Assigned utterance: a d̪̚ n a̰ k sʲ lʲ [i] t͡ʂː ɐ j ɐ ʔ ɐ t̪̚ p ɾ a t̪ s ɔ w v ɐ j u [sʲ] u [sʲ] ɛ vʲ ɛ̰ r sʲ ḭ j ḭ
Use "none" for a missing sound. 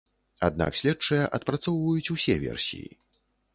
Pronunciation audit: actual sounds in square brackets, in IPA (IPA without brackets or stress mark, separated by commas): ɛ, t͡sʲ, sʲ